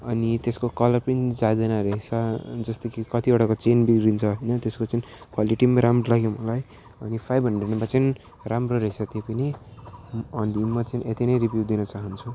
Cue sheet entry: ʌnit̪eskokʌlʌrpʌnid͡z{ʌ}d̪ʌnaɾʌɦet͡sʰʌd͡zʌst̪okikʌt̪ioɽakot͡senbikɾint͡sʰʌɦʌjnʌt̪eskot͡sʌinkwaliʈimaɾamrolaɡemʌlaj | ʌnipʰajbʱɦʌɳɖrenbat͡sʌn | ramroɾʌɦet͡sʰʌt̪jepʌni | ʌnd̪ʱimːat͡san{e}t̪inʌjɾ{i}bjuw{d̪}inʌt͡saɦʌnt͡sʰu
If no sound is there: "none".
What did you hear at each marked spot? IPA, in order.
a, e, i, d̪

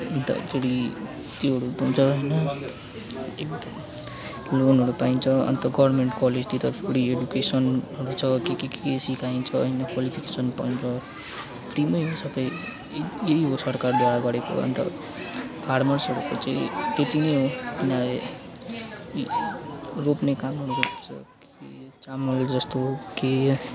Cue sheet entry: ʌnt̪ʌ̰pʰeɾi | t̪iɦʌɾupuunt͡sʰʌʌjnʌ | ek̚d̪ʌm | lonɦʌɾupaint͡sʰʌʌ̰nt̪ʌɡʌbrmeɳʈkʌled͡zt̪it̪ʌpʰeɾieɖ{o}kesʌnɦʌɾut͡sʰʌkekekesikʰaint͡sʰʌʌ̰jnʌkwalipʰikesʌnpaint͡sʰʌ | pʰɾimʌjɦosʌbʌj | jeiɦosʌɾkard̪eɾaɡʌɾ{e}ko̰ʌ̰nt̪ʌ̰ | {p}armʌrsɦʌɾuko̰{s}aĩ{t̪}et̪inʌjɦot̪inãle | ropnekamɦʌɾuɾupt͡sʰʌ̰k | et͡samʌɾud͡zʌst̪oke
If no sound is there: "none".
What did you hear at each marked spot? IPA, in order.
u, e, pʰ, t͡s, t̪

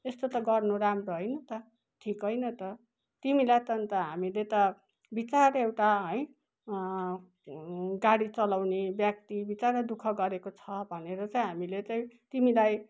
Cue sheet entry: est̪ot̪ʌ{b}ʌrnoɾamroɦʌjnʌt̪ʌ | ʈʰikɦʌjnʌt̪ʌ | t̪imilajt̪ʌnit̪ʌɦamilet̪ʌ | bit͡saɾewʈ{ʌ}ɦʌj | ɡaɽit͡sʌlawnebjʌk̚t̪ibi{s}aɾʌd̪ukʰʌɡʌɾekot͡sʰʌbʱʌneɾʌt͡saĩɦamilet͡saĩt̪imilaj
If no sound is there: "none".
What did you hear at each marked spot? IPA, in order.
ɡ, a, t͡s

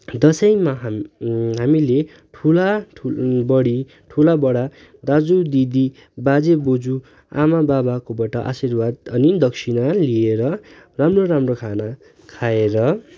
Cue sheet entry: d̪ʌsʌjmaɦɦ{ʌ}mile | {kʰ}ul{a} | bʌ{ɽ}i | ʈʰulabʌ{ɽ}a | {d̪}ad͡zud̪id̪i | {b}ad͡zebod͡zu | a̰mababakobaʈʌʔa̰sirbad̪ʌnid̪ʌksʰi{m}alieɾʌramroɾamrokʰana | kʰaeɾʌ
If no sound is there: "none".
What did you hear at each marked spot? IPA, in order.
a, ʈʰ, a, ɽ, ɽ, d̪, b, n

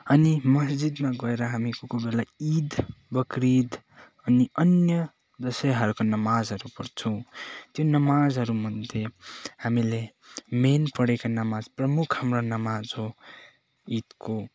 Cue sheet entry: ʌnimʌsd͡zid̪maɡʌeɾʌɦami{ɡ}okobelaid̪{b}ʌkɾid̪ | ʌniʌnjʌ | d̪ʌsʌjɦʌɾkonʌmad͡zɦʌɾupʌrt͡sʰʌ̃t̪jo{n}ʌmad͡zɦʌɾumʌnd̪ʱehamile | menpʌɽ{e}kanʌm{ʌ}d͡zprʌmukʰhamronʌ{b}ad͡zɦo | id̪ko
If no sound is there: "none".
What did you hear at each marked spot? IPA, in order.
k, b, n, e, a, m

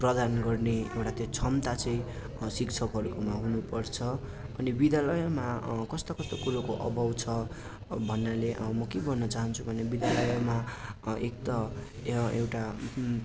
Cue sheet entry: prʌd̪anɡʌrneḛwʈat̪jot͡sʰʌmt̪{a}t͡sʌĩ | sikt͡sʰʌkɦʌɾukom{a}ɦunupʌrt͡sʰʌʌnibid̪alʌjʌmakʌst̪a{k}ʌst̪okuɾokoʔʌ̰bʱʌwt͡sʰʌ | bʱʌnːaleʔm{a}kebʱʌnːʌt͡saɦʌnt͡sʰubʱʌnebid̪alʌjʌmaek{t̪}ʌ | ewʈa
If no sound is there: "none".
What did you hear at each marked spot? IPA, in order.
a, a, k, ʌ, t̪

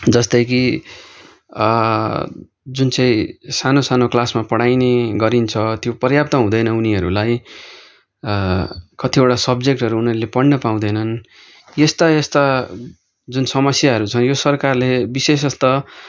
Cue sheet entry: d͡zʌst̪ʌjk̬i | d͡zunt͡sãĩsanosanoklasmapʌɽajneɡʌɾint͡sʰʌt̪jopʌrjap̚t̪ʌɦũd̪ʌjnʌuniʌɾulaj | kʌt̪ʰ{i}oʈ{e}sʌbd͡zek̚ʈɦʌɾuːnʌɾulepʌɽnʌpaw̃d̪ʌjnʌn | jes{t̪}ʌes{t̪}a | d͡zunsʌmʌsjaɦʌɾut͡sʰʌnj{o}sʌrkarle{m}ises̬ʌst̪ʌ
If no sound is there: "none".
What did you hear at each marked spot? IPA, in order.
i, a, t̪, t̪, o, b

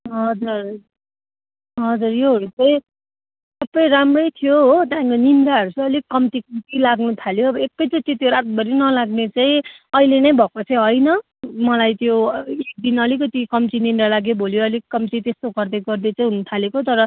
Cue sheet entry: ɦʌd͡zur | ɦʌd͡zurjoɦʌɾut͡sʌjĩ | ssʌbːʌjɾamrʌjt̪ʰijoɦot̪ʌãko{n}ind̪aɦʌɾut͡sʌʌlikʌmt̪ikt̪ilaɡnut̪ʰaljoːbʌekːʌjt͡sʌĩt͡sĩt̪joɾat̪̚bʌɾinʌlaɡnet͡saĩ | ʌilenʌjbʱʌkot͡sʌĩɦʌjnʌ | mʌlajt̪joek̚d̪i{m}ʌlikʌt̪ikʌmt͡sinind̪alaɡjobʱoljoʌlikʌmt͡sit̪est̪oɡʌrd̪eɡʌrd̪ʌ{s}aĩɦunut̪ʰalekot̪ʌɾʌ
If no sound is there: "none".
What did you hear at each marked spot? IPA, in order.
n, n, t͡s

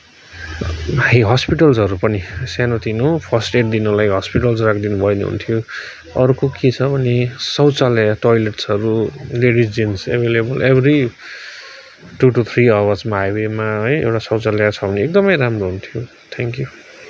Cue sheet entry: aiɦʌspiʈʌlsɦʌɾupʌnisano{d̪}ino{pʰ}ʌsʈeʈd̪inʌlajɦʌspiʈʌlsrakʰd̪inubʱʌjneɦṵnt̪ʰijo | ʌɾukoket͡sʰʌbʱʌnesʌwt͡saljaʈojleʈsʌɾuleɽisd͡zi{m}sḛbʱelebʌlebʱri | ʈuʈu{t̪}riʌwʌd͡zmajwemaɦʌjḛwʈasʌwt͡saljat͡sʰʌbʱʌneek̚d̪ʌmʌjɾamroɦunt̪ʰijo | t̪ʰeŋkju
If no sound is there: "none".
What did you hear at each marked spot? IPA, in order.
t̪, pʰ, n, t̪ʰ

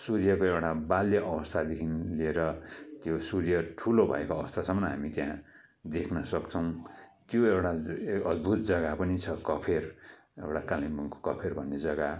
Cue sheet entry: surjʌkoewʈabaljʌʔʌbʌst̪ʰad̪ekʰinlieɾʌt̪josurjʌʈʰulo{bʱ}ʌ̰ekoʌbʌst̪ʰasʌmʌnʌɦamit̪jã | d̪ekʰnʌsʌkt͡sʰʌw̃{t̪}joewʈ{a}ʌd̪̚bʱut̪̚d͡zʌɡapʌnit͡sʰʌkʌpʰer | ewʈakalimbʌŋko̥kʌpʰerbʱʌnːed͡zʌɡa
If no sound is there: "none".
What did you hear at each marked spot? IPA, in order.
bʱ, t̪, a

